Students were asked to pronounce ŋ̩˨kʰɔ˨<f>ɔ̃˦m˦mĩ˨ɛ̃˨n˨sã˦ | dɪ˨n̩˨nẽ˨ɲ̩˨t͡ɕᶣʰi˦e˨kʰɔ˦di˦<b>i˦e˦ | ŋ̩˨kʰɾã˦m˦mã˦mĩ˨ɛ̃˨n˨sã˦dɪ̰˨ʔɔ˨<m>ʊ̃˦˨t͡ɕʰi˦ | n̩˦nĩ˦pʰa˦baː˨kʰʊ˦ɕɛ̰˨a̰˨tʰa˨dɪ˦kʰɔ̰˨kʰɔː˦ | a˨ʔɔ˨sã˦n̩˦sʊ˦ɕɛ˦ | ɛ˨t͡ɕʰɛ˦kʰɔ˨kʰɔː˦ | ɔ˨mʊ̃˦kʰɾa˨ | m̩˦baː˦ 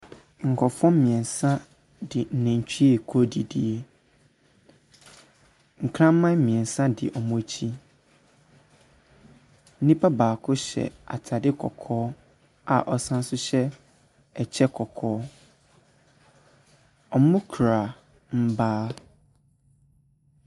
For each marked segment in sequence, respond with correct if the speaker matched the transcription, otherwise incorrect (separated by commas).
correct, incorrect, correct